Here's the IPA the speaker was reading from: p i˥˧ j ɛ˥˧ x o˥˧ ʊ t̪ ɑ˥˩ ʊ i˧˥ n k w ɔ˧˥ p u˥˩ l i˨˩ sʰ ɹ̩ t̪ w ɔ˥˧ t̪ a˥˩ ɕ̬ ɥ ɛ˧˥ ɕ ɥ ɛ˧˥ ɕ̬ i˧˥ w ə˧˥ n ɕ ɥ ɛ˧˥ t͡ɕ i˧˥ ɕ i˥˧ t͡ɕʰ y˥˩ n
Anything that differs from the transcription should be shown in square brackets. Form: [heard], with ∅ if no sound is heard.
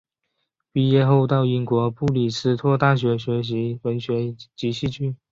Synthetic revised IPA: p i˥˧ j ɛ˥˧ x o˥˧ ʊ t̪ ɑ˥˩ ʊ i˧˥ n k w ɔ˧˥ p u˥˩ l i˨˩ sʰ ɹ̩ [t̪ʰ] w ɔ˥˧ t̪ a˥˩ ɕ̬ ɥ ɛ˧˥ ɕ ɥ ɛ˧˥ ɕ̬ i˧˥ w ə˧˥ n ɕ ɥ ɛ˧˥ t͡ɕ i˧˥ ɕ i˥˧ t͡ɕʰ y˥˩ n